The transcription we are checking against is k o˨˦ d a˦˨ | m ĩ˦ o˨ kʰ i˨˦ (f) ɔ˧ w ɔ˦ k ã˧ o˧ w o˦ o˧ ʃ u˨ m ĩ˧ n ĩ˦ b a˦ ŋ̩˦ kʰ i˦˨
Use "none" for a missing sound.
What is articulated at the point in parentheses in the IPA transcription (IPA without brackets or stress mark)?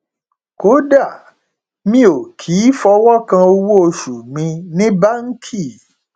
f